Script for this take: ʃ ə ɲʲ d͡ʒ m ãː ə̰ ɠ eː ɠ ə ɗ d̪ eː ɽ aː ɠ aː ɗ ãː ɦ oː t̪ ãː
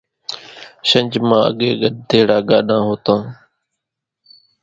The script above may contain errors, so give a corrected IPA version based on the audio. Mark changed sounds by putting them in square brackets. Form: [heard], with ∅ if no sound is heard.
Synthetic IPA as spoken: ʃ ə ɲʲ d͡ʒ m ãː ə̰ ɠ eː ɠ ə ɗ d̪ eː ɽ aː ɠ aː ɗ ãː ɦ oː t̪ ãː